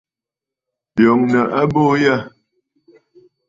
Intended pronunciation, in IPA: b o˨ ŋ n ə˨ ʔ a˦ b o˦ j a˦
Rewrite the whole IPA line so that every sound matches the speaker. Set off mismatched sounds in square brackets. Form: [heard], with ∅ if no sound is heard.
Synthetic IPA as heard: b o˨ ŋ n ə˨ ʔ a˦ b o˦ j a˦